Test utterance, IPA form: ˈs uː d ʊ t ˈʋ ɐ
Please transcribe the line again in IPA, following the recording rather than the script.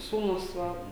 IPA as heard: ˈs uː n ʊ s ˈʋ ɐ